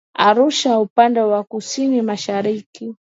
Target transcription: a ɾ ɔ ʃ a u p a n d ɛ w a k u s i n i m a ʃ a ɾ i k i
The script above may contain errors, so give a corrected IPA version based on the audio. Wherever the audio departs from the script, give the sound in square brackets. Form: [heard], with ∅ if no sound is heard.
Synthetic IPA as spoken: a ɾ [u] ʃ a u p a n d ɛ w a k u s i n i m a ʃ a ɾ i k i